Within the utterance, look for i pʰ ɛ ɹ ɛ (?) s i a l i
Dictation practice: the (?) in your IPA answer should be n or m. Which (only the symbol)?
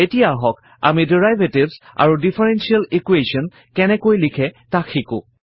n